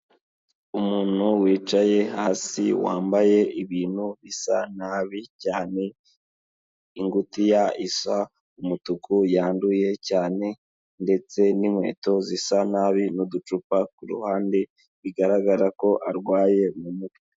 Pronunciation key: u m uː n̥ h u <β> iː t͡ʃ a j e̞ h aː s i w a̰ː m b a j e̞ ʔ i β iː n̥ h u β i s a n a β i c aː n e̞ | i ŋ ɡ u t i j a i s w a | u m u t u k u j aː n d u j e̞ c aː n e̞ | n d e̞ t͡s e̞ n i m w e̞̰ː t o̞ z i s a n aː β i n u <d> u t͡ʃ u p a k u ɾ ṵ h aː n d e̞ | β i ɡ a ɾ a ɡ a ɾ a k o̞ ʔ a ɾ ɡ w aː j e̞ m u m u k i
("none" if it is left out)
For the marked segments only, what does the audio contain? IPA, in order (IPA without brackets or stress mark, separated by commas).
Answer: w, d